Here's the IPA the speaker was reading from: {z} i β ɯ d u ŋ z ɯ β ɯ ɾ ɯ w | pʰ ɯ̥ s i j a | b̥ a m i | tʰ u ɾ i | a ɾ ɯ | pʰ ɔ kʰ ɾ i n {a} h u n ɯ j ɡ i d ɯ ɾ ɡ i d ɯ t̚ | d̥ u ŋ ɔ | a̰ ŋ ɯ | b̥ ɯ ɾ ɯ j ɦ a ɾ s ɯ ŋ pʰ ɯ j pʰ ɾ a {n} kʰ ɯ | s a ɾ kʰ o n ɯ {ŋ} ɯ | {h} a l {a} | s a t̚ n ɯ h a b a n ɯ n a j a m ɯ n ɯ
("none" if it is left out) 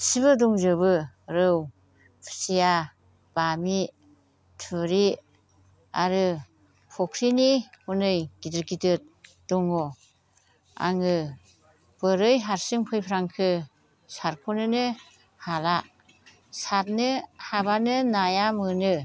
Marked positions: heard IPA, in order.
s, i, ŋ, n, h, a

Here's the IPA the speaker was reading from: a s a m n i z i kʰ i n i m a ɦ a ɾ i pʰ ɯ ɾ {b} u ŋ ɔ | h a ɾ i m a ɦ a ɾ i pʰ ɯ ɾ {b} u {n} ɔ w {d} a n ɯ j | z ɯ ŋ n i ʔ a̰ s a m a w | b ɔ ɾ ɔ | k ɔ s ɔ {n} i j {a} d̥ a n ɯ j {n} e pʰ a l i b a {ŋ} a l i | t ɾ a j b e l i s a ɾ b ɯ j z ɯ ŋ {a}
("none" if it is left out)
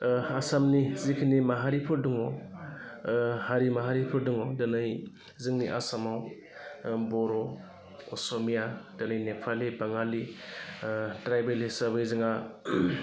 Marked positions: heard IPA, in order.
d, d, ŋ, d, m, a, n, ŋ, a

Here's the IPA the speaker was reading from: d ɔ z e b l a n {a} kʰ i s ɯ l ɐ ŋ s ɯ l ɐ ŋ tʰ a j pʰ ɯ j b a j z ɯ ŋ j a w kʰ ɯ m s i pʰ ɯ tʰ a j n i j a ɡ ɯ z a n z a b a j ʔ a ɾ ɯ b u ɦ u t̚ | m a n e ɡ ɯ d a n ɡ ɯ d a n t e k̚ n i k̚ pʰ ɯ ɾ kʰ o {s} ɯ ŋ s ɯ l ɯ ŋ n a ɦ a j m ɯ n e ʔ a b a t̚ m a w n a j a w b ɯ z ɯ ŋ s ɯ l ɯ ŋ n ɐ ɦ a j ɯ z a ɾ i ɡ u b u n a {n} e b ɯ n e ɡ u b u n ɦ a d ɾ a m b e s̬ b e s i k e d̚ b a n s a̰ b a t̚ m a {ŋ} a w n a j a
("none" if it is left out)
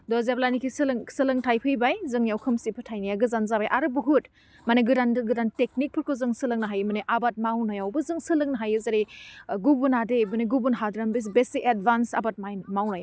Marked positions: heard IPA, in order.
i, z, d, m

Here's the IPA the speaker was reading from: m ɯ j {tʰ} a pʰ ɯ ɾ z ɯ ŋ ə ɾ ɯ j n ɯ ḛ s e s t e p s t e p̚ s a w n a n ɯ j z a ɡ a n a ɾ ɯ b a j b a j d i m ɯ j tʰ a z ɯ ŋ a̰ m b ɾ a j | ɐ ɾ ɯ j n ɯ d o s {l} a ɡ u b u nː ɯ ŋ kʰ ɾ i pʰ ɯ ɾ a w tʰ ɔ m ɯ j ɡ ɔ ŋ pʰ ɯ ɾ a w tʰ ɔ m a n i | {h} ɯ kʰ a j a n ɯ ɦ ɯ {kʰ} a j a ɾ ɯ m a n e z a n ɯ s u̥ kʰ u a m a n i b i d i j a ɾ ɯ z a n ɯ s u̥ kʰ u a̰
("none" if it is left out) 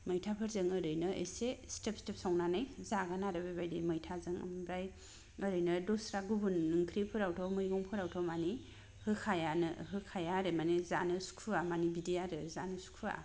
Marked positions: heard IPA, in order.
tʰ, ɾ, h, kʰ

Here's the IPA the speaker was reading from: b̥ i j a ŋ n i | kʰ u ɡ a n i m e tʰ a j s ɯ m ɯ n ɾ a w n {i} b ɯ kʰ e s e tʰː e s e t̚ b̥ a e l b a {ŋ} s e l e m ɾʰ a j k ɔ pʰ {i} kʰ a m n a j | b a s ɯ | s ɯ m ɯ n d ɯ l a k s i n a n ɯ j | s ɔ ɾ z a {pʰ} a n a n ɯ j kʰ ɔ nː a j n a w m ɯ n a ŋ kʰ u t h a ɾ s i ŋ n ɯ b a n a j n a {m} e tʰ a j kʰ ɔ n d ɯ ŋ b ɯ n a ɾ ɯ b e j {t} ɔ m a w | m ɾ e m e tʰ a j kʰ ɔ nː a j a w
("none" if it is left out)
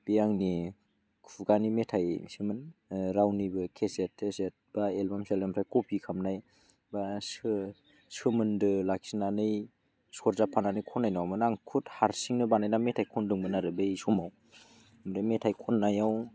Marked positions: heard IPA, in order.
i, m, i, pʰ, m, s

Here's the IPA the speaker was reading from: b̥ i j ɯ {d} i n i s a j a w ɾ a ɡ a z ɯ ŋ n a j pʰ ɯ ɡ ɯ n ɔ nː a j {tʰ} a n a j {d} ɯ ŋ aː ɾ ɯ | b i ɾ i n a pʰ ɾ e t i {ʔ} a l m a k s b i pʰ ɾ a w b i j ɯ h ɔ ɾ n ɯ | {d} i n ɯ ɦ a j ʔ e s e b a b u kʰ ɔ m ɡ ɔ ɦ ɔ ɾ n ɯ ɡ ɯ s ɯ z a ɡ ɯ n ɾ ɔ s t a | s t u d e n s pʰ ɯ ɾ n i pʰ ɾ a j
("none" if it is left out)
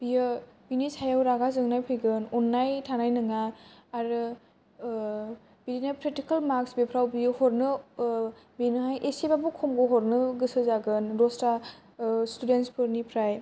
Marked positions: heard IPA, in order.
b, tʰ, n, k, b

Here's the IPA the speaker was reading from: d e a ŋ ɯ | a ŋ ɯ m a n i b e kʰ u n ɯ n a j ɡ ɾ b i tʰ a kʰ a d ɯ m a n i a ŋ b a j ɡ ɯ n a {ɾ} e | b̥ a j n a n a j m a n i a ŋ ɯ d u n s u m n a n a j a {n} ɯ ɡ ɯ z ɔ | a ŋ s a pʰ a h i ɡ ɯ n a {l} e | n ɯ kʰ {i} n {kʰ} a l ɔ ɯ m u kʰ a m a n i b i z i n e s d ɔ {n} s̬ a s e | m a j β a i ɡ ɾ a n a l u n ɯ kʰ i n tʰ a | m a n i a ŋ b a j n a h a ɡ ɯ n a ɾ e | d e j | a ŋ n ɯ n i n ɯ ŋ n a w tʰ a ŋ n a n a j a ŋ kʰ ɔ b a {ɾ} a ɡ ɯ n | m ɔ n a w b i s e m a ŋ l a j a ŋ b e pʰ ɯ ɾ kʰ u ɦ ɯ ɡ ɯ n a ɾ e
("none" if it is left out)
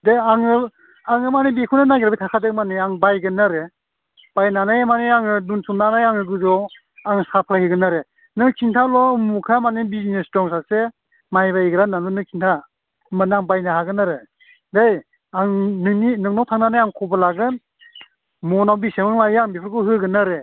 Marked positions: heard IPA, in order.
ɾ, ŋ, ɾ, i, tʰ, ŋ, l

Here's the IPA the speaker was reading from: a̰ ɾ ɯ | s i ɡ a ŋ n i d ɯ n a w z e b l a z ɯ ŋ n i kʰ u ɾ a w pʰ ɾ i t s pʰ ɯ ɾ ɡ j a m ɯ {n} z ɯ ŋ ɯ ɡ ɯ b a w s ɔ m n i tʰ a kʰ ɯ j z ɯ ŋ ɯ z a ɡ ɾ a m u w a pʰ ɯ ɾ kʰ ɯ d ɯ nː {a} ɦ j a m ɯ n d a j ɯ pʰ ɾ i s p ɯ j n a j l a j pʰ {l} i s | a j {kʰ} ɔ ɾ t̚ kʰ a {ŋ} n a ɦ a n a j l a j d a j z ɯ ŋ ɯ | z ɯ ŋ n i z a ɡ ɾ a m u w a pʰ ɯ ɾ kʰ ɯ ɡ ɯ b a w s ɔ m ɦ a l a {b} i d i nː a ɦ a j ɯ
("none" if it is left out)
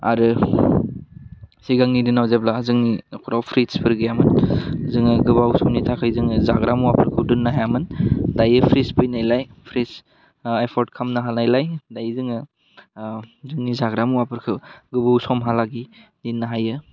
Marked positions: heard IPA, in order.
n, a, ɾ, pʰ, m, ɡ

